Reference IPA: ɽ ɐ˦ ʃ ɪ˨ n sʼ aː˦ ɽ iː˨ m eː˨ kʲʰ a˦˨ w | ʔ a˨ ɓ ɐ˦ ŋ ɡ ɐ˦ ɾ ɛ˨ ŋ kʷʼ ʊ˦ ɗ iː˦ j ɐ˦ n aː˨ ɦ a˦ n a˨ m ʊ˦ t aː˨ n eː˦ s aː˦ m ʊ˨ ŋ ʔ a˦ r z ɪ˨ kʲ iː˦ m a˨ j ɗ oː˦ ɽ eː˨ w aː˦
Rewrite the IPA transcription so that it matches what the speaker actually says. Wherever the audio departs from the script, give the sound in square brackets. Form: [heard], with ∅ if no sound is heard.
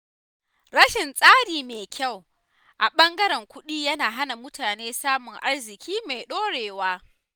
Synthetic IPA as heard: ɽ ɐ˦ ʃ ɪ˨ n sʼ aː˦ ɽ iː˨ m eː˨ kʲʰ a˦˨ w | ʔ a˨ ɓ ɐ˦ ŋ ɡ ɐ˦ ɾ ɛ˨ ŋ [kʷ] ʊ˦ ɗ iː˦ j ɐ˦ n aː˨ ɦ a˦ n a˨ m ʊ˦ t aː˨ n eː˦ s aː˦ m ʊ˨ ŋ ʔ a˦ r z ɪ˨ kʲ iː˦ m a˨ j ɗ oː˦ ɽ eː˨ w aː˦